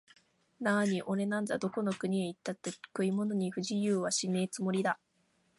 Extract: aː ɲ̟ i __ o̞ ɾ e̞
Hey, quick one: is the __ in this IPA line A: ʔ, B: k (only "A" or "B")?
A